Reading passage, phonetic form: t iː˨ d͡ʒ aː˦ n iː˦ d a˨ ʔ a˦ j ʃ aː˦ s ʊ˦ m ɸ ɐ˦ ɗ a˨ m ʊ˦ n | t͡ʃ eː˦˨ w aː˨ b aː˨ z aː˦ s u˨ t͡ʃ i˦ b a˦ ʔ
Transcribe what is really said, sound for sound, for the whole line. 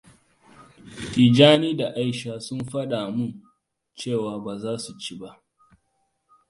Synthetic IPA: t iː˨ d͡ʒ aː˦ n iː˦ d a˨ ʔ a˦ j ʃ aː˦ s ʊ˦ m ɸ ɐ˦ ɗ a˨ m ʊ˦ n | t͡ʃ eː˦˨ w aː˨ b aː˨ z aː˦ s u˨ t͡ʃ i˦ b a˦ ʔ